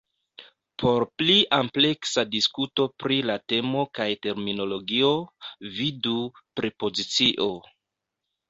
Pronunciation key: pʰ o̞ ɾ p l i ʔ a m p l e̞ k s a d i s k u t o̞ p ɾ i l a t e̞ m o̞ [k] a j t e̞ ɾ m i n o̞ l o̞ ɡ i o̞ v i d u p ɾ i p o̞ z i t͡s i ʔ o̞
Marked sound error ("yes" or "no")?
no